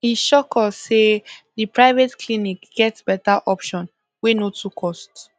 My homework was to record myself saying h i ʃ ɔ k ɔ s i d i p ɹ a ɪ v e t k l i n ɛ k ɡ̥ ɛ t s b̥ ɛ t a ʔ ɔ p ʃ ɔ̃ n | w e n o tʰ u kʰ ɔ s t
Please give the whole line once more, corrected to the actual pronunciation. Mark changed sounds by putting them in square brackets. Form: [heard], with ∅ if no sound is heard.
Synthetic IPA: h i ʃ ɔ k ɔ s [e] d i p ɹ a ɪ v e t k l i n [i] k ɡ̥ ɛ t s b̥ ɛ t a ʔ ɔ p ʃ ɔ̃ n | w e n o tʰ u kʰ ɔ s t

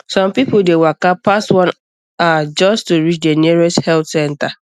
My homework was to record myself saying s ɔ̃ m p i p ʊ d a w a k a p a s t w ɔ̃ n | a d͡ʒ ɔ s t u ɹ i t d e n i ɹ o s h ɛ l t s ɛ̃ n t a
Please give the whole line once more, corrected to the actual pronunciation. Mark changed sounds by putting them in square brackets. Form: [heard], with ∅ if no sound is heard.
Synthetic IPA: s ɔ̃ m p i p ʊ d [e] w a k a p a s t w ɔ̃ n | a d͡ʒ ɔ s t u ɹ i [t͡ʃ] d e n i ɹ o s h ɛ l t s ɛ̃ n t a

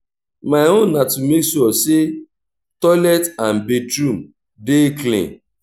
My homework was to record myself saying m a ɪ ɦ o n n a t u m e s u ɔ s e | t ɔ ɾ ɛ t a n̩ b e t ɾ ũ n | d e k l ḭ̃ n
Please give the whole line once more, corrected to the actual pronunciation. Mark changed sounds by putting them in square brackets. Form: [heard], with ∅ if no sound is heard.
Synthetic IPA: m a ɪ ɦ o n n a t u m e s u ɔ s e | t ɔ [l] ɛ t a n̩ b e t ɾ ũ [m] | d e k l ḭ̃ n

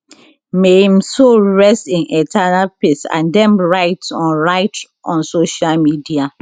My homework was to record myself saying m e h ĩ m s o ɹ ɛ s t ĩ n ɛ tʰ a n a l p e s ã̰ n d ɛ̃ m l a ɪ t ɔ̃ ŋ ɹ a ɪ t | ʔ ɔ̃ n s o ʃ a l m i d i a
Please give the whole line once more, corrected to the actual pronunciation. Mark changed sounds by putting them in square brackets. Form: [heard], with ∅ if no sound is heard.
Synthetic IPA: m e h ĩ m s o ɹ ɛ s t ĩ n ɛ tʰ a n a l p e s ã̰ n d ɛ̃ m [ɹ] a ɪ t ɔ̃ [n] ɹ a ɪ t | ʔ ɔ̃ n s o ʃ a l m i d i a

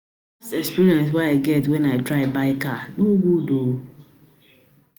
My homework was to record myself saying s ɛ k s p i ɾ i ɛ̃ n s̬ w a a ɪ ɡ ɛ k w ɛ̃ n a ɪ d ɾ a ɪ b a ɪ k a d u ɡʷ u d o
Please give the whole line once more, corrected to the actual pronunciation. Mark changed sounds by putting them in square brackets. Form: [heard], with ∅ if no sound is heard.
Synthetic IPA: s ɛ k s p i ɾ i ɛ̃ n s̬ w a a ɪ ɡ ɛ [t] w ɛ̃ n a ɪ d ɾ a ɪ b a ɪ k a [n] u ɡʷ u d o

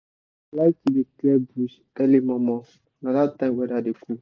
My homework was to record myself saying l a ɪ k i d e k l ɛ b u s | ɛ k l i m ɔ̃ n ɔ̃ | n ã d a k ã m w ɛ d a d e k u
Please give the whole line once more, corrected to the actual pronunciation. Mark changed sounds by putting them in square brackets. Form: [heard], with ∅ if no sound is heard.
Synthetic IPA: l a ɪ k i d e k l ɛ b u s | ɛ [∅] l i m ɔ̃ [m] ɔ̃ | n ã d a [t] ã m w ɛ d a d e k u

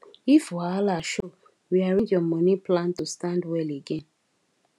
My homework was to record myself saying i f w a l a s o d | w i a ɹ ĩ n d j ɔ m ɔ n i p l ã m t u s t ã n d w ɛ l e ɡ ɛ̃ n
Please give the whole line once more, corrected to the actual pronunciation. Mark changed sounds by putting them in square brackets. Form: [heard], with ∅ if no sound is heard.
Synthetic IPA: i f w a l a [ʃ] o [∅] | w i a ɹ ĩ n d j ɔ m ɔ n i p l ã [n] t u s t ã n d w ɛ l e ɡ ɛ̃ n

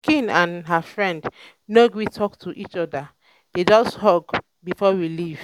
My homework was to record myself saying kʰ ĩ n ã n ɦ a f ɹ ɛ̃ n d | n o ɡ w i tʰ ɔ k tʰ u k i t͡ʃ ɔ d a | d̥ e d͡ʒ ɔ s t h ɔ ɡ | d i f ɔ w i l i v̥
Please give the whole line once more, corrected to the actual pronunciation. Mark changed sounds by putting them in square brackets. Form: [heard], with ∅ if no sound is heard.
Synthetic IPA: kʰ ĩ n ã n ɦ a f ɹ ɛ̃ n d | n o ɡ w i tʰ ɔ k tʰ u [ʔ] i t͡ʃ ɔ d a | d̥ e d͡ʒ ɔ s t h ɔ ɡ | [b] i f ɔ w i l i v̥

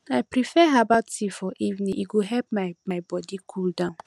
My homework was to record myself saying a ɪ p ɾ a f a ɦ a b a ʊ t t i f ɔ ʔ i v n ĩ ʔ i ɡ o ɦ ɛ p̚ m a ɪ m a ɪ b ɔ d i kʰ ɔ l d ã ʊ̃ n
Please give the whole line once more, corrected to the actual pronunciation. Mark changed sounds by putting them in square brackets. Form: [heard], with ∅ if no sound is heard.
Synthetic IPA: a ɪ p ɾ [i] f [ɛ] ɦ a b a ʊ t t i f ɔ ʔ i v n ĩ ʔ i ɡ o ɦ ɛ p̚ m a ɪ m a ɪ b ɔ d i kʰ [u] l d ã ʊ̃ n

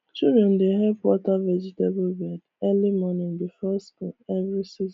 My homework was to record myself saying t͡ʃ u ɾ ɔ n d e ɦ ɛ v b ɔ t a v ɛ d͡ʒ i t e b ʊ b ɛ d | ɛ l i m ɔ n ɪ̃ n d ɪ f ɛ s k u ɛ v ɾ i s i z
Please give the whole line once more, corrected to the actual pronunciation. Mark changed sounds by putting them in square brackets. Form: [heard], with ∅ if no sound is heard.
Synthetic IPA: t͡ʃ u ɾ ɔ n d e ɦ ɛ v [w] ɔ t a v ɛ d͡ʒ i t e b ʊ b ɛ d | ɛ l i m ɔ n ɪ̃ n d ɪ f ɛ s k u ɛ v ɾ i s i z

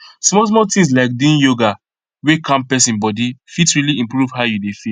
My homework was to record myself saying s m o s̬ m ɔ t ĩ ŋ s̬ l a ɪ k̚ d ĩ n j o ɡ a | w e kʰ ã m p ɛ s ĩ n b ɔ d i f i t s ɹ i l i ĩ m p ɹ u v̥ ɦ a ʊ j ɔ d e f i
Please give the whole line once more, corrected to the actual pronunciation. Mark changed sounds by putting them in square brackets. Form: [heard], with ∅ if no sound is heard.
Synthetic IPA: s m [ɔ] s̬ m ɔ t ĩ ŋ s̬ l a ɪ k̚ d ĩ n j o ɡ a | w e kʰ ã m p ɛ s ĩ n b ɔ d i f i t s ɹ i l i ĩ m p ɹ u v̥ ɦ a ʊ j [u] d e f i

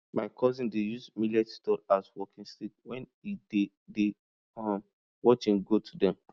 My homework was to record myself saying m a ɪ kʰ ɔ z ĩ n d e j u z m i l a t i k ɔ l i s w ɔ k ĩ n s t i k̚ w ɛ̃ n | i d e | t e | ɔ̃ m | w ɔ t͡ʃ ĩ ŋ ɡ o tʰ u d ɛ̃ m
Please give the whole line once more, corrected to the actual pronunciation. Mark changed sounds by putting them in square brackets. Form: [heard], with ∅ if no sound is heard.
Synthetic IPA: m a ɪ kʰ ɔ z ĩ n d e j u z m i l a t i [t] ɔ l [a] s w ɔ k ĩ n s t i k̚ w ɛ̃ n | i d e | [d] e | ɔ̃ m | w ɔ t͡ʃ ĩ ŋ ɡ o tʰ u d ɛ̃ m

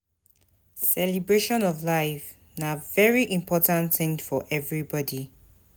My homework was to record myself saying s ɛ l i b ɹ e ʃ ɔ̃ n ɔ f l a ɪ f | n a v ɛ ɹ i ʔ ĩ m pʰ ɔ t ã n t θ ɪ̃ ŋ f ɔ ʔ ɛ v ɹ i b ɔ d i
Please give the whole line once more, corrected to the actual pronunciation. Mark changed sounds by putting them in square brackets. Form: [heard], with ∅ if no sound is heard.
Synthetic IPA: s ɛ l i b ɹ e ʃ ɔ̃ n ɔ [v] l a ɪ f | n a v ɛ ɹ i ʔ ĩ m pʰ ɔ t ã n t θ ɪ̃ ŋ f ɔ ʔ ɛ v ɹ i b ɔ d i

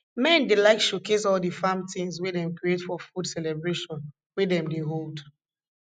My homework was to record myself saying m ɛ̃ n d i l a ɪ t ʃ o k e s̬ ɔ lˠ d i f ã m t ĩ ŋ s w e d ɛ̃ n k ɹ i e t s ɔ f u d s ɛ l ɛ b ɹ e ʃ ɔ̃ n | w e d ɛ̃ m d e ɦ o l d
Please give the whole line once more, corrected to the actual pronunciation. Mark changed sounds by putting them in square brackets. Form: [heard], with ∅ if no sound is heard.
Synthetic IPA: m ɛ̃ n d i l a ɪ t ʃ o k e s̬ ɔ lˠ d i f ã m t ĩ ŋ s w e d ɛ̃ [m] k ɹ i e t [f] ɔ f u d s ɛ l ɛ b ɹ e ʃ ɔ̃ n | w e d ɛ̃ m d e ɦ o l d

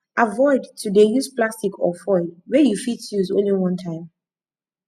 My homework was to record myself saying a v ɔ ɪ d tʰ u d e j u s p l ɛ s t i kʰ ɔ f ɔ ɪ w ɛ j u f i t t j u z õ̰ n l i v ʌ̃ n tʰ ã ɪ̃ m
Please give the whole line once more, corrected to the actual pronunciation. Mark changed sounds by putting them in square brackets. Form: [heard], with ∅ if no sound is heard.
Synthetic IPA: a v ɔ ɪ d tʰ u d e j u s p l [a] s t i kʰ ɔ f ɔ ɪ w ɛ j u f i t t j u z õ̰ n l i [w] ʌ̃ n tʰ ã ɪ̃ m

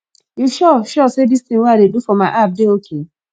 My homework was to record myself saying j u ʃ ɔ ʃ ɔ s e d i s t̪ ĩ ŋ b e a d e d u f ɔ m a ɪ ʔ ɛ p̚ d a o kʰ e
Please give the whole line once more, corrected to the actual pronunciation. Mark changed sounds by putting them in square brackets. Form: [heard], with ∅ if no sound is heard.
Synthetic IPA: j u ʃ ɔ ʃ ɔ s e d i s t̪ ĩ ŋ [w] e a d e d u f ɔ m a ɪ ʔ [a] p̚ d [e] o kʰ e

